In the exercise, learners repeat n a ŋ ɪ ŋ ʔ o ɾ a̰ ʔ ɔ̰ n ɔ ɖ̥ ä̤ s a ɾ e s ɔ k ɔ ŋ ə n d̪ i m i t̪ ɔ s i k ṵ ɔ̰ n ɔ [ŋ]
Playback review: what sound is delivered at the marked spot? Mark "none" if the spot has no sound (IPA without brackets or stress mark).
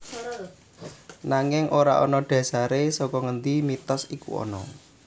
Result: none